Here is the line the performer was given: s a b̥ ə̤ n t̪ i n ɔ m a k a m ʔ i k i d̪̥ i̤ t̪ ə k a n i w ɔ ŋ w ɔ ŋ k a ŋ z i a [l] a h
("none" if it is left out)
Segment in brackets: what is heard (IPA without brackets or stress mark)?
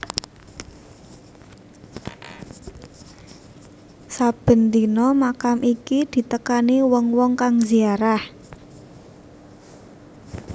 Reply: ɾ